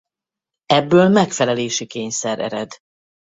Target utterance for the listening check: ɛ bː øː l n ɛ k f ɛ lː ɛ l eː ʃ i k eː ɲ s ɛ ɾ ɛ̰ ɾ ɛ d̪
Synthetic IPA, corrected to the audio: ɛ bː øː l m ɛ k f ɛ l ɛ l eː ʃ i k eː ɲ s ɛ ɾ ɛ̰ ɾ ɛ d̪